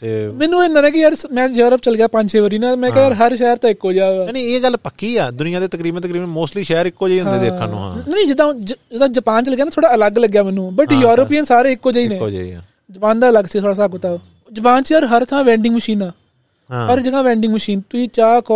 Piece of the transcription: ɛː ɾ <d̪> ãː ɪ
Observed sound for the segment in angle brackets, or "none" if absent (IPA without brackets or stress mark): t̪